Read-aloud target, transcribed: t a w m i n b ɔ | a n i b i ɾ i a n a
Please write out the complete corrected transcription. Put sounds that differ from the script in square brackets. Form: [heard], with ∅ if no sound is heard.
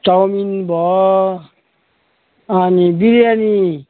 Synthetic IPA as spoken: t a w m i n b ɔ | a n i b i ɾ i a n [i]